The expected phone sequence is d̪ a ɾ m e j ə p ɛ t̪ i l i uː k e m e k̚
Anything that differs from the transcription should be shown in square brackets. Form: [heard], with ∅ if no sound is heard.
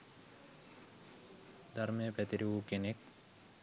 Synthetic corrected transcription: d̪ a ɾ m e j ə p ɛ t̪ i [ɾ] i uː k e [n] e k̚